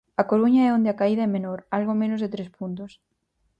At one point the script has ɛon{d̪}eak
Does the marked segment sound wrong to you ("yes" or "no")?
no